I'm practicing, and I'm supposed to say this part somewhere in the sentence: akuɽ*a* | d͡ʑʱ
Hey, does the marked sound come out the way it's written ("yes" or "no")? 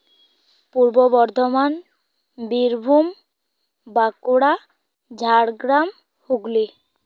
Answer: yes